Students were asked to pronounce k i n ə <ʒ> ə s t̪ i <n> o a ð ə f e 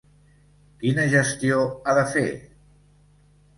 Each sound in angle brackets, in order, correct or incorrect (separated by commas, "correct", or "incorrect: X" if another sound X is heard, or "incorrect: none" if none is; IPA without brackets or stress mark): correct, incorrect: none